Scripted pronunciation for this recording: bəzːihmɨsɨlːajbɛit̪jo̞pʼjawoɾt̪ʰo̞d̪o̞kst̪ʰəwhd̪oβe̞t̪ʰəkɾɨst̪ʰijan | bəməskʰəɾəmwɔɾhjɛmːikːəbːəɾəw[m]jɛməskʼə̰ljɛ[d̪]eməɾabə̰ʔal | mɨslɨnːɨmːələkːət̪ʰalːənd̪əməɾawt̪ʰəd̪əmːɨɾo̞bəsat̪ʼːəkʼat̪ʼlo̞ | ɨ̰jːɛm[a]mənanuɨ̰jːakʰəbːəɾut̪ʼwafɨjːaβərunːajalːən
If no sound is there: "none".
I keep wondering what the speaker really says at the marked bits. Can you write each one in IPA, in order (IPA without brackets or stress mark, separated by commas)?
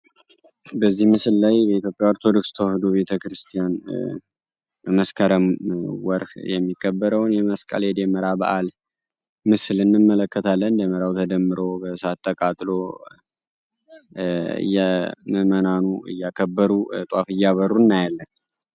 n, d̪, ə